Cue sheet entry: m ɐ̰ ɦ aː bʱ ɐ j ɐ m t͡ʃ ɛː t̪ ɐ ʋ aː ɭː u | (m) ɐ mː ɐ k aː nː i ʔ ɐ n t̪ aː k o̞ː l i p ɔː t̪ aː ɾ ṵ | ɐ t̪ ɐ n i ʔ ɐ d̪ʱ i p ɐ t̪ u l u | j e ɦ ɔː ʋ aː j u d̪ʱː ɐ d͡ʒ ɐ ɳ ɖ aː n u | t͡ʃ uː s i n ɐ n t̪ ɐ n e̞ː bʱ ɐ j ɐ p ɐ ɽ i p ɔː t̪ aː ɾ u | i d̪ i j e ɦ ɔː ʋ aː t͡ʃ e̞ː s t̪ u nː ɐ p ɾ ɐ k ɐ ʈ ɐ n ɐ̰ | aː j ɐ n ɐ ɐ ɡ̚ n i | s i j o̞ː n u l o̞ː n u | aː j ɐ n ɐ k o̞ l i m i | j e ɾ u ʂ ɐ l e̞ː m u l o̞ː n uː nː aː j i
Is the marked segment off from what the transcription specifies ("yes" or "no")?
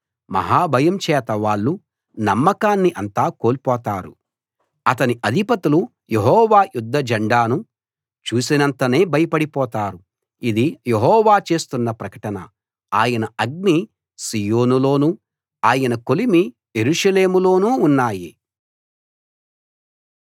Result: yes